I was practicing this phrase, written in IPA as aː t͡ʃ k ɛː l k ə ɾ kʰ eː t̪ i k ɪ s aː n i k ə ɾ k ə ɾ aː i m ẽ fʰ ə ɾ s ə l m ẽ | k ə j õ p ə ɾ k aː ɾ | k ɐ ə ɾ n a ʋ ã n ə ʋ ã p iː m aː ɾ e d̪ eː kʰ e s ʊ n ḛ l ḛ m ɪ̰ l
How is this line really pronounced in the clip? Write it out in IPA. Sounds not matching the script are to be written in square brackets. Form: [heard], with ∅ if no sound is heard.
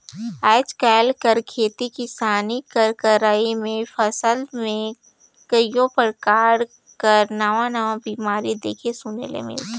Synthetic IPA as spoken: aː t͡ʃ k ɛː l k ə ɾ kʰ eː t̪ i k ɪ s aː n i k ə ɾ k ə ɾ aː i m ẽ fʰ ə [∅] s ə l m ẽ | k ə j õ p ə ɾ k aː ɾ | k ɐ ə ɾ n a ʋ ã n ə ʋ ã [b] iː m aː ɾ [i] d̪ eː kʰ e s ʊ n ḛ l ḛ m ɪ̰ l

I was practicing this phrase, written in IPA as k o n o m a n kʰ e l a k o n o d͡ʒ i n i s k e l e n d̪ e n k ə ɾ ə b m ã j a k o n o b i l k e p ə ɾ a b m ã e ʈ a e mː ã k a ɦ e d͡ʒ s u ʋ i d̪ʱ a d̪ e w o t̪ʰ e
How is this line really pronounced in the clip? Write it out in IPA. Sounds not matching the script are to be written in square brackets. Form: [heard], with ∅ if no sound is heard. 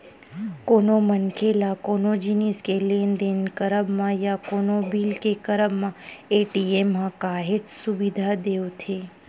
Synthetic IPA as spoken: k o n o m [ə] n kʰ e l a k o n o d͡ʒ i n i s k e l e n d̪ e n k ə ɾ ə b m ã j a k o n o b i l k e [k] ə ɾ [ə] b m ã e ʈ [i] e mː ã k a ɦ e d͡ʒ s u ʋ i d̪ʱ a d̪ e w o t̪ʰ e

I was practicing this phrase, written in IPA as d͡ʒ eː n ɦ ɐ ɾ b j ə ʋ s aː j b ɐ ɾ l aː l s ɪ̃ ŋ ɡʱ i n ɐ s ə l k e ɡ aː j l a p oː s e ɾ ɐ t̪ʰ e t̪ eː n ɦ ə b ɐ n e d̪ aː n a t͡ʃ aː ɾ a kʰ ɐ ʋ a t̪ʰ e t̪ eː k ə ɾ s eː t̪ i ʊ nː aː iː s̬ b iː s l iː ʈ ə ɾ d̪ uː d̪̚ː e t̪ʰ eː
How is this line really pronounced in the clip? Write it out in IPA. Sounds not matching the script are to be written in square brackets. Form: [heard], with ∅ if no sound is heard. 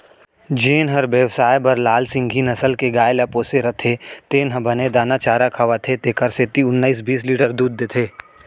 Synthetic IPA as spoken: d͡ʒ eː n ɦ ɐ ɾ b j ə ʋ s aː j b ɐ ɾ l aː l s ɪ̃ ŋ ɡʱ i n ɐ s ə l k e ɡ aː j l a p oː s e ɾ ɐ t̪ʰ e t̪ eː n ɦ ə b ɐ n e d̪ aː n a t͡ʃ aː ɾ a kʰ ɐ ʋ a t̪ʰ e t̪ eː k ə ɾ s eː t̪ i ʊ nː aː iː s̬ b iː s l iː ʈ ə ɾ d̪ uː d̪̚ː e t̪ʰ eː

